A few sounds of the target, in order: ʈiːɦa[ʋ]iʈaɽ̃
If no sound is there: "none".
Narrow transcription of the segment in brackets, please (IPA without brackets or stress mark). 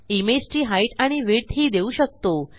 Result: none